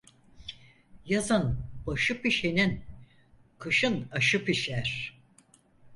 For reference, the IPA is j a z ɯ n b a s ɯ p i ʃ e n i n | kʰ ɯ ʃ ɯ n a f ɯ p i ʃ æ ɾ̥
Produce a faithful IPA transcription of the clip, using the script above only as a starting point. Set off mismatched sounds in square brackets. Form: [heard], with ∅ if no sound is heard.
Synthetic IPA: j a z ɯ n b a [ʃ] ɯ p i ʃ e n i n | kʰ ɯ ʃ ɯ n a [ʃ] ɯ p i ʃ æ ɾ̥